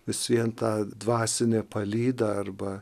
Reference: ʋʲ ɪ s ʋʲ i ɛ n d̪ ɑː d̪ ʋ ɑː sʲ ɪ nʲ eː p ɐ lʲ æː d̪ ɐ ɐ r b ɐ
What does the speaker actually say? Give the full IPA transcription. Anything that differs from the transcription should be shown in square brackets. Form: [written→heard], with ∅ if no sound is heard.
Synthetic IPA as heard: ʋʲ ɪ s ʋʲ i ɛ n [d̪→t̪] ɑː d̪ ʋ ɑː sʲ ɪ nʲ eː p ɐ lʲ [æː→iː] d̪ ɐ ɐ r b ɐ

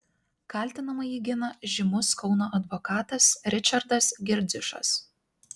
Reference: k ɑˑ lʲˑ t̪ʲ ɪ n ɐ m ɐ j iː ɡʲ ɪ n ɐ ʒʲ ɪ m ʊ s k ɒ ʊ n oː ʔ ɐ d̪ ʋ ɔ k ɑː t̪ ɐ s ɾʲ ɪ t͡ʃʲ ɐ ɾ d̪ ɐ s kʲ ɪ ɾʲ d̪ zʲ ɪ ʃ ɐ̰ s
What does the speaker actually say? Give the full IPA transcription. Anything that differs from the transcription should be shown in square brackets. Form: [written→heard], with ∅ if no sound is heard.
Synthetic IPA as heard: k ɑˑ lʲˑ t̪ʲ ɪ n ɐ m ɐ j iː ɡʲ ɪ n ɐ ʒʲ ɪ m ʊ s k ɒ ʊ n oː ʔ ɐ d̪ ʋ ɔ k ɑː t̪ ɐ s ɾʲ ɪ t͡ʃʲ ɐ ɾ d̪ ɐ s [kʲ→ɡʲ] ɪ ɾʲ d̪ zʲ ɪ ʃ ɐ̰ s

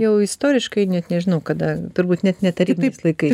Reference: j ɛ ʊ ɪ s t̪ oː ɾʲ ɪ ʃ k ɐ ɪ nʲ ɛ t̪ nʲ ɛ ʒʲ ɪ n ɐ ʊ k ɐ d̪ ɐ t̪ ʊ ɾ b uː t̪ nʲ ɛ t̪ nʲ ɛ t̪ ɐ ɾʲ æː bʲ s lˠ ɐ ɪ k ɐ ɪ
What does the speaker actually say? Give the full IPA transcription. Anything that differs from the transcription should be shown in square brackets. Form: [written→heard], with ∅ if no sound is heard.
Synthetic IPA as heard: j ɛ ʊ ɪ s t̪ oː ɾʲ ɪ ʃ k ɐ ɪ nʲ ɛ t̪ nʲ ɛ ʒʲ ɪ n ɐ ʊ k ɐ d̪ ɐ t̪ ʊ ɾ b uː t̪ nʲ ɛ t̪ nʲ ɛ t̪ ɐ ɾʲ [æː→iː] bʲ s lˠ ɐ ɪ k ɐ ɪ

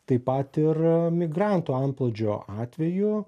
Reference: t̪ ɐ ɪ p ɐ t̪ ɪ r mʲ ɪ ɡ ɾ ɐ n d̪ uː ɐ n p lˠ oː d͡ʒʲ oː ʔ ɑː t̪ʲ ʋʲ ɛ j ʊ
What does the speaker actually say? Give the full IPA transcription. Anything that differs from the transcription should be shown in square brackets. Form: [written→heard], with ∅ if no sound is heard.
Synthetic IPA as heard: t̪ ɐ ɪ p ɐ t̪ ɪ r mʲ ɪ ɡ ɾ [ɐ→ɑ] n [d̪→t̪] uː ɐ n p lˠ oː d͡ʒʲ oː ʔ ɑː t̪ʲ ʋʲ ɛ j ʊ

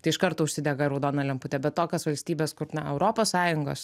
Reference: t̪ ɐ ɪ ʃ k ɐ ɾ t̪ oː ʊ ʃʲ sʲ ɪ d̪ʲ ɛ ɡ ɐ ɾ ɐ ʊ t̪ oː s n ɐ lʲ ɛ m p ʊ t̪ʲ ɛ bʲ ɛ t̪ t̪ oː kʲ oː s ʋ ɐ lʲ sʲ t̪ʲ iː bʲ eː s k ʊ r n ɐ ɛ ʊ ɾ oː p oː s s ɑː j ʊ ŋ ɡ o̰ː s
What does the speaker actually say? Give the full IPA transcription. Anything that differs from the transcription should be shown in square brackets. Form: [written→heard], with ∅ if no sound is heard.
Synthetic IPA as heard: t̪ ɐ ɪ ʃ k ɐ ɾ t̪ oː ʊ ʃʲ sʲ ɪ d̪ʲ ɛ ɡ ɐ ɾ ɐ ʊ [t̪→d̪] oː [s→∅] n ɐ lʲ ɛ m p ʊ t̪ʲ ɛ bʲ ɛ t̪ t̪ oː kʲ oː s ʋ ɐ lʲ sʲ t̪ʲ iː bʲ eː s k ʊ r n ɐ ɛ ʊ ɾ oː p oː s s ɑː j ʊ ŋ ɡ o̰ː s

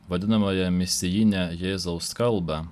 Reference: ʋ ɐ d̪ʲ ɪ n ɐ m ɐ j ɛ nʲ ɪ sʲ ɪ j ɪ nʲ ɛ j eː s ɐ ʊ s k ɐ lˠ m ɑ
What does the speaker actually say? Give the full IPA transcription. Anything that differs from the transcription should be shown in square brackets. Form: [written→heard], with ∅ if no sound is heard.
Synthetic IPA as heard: ʋ ɐ d̪ʲ ɪ n ɐ m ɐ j ɛ [nʲ→mʲ] ɪ sʲ ɪ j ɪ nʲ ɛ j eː [s→z] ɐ ʊ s k ɐ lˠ [m→b] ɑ

